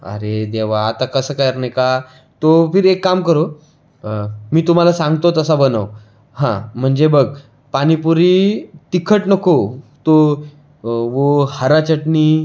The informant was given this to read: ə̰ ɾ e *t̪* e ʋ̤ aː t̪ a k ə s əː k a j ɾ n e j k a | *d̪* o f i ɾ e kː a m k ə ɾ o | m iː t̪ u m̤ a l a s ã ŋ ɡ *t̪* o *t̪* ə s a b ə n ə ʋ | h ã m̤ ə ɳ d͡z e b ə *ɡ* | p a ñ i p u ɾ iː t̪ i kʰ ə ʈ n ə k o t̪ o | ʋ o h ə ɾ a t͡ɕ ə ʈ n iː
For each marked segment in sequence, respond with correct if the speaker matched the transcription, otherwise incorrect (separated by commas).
incorrect, incorrect, correct, correct, correct